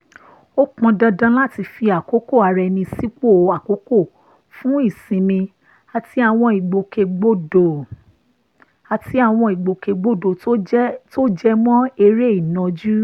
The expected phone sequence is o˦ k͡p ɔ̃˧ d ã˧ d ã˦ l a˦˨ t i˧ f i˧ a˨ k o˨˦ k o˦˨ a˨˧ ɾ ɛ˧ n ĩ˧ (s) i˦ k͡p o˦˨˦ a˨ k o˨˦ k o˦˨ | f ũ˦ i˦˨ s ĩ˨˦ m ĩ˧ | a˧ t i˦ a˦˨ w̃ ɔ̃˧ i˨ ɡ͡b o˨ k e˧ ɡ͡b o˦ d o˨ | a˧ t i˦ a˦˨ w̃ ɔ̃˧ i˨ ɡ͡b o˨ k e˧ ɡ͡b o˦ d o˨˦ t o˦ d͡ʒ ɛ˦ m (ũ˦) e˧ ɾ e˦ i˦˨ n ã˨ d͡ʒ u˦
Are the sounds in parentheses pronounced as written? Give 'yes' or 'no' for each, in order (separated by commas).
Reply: yes, no